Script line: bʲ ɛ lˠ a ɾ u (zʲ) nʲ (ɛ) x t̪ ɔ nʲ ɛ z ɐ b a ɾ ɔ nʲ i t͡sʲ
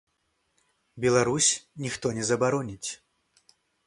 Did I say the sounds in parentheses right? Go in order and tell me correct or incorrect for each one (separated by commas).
incorrect, incorrect